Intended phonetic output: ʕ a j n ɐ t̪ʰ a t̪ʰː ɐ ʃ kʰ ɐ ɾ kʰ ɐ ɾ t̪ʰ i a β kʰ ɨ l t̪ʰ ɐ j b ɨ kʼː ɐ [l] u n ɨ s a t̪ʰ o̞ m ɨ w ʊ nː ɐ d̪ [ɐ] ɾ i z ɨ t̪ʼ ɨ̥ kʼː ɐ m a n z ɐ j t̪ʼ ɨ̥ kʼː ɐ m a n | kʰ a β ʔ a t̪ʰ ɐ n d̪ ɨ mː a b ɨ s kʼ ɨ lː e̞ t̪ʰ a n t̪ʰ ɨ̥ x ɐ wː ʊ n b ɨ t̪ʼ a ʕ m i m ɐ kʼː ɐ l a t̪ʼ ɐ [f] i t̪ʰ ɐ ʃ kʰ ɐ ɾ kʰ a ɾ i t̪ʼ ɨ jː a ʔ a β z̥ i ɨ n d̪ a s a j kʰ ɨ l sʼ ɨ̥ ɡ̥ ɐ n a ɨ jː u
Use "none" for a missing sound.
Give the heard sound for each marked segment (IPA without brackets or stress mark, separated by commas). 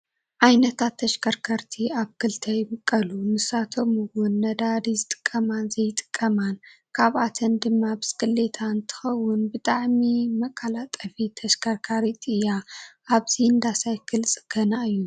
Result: l, a, f